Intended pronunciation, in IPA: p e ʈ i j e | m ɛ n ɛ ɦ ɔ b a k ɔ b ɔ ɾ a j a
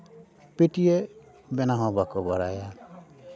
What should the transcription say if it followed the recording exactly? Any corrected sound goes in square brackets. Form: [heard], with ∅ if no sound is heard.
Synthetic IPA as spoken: p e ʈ i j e | [b] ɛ n [a] ɦ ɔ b a k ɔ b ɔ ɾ a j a

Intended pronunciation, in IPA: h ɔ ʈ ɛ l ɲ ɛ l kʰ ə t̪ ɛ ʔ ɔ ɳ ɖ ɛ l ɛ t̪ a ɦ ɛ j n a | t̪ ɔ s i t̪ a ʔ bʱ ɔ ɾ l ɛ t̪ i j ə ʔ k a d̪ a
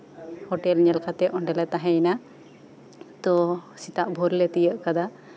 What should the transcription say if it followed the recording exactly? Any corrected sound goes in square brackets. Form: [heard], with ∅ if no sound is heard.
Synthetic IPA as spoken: h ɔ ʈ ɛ l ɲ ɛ l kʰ [a] t̪ ɛ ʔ ɔ ɳ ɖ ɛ l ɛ t̪ a ɦ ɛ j n a | t̪ ɔ s i t̪ a ʔ bʱ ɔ ɾ l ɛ t̪ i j ə ʔ k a d̪ a

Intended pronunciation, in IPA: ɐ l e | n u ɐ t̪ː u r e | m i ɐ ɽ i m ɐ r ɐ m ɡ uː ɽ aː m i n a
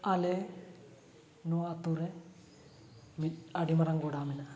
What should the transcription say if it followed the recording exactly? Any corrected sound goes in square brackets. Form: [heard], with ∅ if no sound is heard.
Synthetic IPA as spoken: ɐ l e | n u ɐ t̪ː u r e | m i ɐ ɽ i m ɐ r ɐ [ŋ] ɡ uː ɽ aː m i n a

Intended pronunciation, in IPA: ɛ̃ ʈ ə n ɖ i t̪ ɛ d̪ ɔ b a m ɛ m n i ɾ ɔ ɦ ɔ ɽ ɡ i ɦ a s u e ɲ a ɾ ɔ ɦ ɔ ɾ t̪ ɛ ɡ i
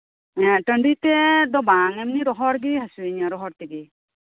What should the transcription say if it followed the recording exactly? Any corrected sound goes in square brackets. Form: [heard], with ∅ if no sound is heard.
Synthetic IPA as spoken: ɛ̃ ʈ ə [ɳ] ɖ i t̪ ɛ d̪ ɔ b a [ŋ] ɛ m n i ɾ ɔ ɦ ɔ [ɾ] ɡ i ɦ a s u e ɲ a ɾ ɔ ɦ ɔ ɾ t̪ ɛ ɡ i

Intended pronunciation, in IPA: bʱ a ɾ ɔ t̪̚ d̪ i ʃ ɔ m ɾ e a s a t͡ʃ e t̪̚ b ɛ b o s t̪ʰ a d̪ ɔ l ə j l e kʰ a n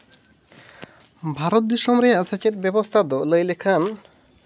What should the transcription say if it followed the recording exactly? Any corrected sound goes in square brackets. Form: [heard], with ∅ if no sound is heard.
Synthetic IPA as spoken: bʱ a ɾ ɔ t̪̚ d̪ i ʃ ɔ m ɾ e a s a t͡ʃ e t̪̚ b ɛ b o s t̪ʰ a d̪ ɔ l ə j l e kʰ a n

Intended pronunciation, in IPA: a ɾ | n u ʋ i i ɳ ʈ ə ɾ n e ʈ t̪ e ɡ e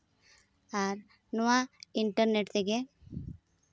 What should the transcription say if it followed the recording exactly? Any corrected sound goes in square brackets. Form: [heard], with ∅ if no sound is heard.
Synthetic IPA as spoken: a ɾ | n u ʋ [a] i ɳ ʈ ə ɾ n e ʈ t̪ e ɡ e

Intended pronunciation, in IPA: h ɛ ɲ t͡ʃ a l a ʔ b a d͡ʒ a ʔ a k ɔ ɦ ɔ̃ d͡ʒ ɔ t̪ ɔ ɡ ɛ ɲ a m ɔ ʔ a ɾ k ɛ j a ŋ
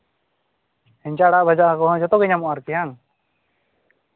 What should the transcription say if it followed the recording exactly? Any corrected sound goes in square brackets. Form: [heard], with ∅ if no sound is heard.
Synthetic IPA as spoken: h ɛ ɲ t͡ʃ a [ɽ] a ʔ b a d͡ʒ a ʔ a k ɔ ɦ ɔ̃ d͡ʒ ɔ t̪ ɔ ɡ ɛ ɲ a m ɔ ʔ a ɾ k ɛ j a ŋ

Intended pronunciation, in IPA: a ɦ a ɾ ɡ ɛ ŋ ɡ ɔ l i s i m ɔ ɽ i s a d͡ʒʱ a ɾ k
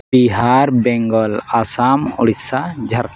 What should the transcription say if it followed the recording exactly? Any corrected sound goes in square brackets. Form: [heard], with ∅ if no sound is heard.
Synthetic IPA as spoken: [i] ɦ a ɾ [b] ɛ ŋ ɡ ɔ l [a] s [a] m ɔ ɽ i s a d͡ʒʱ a ɾ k

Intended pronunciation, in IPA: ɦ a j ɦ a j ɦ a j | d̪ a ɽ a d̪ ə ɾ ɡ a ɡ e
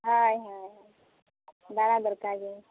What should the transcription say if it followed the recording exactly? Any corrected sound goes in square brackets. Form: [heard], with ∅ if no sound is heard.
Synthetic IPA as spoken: ɦ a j ɦ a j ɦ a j | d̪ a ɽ a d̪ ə ɾ [k] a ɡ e

